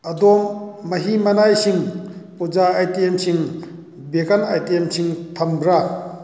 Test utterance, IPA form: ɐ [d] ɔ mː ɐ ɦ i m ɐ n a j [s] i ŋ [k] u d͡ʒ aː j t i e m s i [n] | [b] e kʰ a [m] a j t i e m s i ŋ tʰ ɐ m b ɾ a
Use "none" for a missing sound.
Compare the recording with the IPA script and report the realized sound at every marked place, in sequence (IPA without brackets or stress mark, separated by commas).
d, s, p, ŋ, b, n